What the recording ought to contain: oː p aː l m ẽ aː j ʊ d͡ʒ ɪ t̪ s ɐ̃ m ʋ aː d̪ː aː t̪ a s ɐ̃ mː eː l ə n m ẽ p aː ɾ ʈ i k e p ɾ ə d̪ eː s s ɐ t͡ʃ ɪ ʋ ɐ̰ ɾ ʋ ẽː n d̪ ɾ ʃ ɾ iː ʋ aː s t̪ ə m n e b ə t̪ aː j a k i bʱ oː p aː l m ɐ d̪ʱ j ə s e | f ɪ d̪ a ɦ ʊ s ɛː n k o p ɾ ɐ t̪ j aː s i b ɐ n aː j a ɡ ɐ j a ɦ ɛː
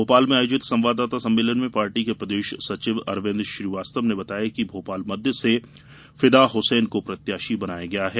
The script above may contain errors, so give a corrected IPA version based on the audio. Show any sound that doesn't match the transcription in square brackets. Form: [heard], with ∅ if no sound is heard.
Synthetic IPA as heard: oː p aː l m ẽ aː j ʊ d͡ʒ ɪ t̪ s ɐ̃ m ʋ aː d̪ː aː t̪ a s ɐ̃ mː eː l ə n m ẽ p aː ɾ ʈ i k e p ɾ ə d̪ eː [ʃ] s ɐ t͡ʃ ɪ ʋ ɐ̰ ɾ ʋ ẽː n d̪ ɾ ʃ ɾ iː ʋ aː s t̪ ə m n e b [ɐ] t̪ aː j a k i bʱ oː p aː l m ɐ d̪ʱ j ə s e | f ɪ d̪ a ɦ ʊ s ɛː n k o p ɾ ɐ t̪ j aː [ʃ] i b ɐ n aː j a ɡ ɐ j a ɦ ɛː